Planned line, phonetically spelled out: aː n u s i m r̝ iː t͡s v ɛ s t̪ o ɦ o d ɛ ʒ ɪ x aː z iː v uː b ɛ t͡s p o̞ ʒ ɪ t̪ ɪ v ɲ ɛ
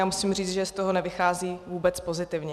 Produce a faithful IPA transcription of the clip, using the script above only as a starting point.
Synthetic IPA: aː m u s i m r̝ iː t͡s ʒ ɛ s t̪ o ɦ o n ɛ v ɪ x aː z iː v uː b ɛ t͡s p o̞ z ɪ t̪ ɪ v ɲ ɛ